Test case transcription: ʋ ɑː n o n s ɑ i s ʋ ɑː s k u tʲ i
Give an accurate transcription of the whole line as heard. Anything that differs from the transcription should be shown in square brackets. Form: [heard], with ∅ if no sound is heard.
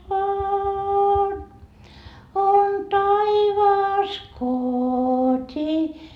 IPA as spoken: ʋ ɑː n o n [t] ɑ i [∅] ʋ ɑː s k [o] tʲ i